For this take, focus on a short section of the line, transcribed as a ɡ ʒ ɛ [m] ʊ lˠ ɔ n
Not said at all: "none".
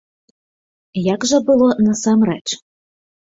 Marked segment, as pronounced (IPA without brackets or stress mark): b